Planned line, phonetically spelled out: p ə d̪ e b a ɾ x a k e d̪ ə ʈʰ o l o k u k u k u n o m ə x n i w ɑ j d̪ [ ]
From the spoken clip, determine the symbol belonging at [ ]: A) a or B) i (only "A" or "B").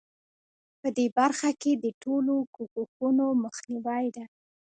A